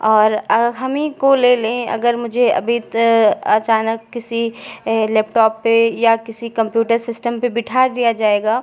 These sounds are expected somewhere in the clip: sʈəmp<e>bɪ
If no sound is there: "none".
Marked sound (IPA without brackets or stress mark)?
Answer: e